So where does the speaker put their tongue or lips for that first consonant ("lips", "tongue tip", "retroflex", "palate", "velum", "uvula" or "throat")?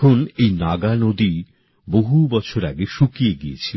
tongue tip